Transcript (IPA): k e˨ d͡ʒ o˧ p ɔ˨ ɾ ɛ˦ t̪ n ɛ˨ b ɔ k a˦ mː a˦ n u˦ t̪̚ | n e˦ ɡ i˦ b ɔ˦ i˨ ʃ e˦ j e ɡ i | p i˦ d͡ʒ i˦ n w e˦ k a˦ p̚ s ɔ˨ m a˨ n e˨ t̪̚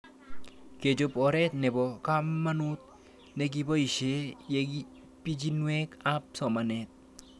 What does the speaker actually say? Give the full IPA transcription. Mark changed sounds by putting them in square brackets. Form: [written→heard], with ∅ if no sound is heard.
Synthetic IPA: k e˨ d͡ʒ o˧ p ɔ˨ ɾ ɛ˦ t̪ n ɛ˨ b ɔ k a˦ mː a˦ n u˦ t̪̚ | n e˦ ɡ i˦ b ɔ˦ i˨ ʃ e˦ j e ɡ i | p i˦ d͡ʒ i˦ n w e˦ k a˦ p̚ s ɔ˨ m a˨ n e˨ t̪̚

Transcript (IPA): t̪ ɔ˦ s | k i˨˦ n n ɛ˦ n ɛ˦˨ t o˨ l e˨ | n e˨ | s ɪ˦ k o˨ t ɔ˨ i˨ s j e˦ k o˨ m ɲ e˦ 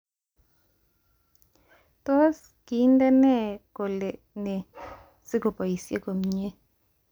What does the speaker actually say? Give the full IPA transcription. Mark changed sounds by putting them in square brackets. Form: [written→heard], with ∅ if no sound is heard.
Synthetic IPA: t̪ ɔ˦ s | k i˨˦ n [n→d] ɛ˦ n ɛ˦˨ [t→k] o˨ l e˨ | n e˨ | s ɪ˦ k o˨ [t→p] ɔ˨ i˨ s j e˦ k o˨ m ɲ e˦

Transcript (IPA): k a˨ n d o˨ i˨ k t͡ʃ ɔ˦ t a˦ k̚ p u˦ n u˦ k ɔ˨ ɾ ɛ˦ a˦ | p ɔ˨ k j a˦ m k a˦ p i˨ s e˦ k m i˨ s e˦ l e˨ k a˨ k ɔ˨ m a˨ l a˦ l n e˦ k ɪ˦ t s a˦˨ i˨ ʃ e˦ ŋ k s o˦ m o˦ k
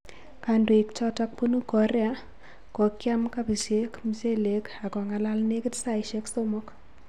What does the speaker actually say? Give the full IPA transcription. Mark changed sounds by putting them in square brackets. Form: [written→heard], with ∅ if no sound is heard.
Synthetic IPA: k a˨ n d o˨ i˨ k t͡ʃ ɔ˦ t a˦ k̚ p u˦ n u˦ k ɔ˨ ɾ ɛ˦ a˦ | [p→k] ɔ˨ k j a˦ m k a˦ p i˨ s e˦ k m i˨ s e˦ l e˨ k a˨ k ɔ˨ [m→ŋ] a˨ l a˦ l n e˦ k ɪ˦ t s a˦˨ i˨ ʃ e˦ [ŋ→∅] k s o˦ m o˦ k

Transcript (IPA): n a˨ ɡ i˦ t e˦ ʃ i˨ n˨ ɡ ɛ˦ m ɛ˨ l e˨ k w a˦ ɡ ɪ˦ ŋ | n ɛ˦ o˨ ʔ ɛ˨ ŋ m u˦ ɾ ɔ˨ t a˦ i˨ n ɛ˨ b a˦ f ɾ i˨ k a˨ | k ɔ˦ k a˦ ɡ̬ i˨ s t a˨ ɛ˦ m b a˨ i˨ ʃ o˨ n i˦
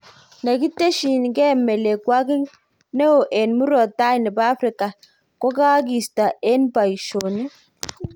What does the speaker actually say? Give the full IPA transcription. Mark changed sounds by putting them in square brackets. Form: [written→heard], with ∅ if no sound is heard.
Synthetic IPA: n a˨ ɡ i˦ t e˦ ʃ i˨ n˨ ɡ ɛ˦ m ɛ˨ l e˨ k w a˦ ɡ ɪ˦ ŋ | n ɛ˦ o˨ ʔ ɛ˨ [ŋ→n] m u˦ ɾ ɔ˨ t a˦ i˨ n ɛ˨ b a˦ f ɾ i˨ k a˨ | k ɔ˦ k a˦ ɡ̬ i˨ s t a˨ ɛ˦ [m→n] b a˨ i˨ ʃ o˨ n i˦

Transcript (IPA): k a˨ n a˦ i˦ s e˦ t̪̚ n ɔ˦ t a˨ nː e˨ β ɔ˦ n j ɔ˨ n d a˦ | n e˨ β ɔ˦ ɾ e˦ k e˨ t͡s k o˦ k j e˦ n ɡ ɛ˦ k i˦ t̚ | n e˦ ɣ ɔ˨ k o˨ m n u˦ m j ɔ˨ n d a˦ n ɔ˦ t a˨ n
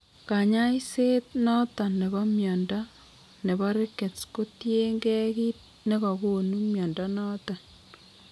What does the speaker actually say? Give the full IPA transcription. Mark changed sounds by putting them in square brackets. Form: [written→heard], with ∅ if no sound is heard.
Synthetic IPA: k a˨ [n→ɲ] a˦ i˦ s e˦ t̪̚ n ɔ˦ t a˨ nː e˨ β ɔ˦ [n→m] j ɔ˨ n d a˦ | n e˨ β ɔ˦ ɾ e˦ k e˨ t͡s k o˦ [k→t] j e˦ [n→ŋ] ɡ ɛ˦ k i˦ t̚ | n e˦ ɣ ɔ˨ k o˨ [m→∅] n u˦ m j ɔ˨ n d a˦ n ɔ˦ t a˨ n

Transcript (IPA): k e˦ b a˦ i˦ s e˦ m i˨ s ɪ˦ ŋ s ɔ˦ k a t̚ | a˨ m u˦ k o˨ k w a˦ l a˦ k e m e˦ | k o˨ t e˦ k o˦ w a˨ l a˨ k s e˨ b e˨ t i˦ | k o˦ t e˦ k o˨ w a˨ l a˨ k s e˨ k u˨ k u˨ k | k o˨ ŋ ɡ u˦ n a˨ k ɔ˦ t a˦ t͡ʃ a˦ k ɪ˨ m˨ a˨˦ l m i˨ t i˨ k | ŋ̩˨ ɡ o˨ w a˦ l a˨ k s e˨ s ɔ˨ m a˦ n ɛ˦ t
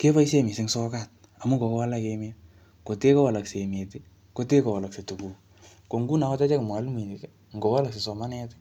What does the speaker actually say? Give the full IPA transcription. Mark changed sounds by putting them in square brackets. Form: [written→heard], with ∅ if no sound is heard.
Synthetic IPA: k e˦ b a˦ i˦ s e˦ m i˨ s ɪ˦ ŋ s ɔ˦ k a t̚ | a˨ m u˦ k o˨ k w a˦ l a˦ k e m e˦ | k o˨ t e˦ k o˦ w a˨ l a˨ k s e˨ [b→m] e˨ t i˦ | k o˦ t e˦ k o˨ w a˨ l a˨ k s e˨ [k→t] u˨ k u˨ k | k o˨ ŋ ɡ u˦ n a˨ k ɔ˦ t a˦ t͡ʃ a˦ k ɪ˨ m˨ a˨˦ l m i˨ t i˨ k | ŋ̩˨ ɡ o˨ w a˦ l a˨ k s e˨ s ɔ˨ m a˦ n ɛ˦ t

